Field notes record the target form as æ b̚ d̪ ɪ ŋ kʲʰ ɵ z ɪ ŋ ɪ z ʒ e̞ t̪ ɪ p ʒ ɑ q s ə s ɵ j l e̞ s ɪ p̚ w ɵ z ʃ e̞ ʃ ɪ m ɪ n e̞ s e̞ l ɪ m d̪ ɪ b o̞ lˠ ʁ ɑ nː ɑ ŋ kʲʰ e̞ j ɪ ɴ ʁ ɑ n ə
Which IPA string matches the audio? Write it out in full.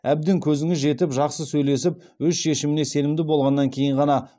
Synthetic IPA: æ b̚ d̪ ɪ ŋ kʲʰ ɵ z ɪ ŋ ɪ z ʒ e̞ t̪ ɪ p ʒ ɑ q s ə s ɵ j l e̞ s ɪ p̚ w ɵ z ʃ e̞ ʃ ɪ m ɪ n e̞ s e̞ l ɪ m d̪ ɪ b o̞ lˠ ʁ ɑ nː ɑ ŋ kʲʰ e̞ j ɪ ɴ ʁ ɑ n ɑ